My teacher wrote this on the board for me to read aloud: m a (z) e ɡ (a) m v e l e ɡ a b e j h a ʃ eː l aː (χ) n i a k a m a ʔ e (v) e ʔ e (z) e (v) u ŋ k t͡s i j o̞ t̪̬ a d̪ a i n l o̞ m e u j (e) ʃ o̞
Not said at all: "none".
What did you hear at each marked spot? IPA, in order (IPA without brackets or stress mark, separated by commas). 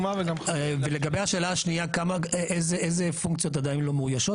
v, a, ʃ, z, z, f, a